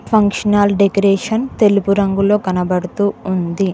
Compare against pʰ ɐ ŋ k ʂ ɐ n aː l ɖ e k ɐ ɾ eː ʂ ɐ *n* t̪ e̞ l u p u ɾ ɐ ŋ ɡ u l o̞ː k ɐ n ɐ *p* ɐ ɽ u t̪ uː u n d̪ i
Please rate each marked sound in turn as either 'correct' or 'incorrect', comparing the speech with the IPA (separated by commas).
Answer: correct, incorrect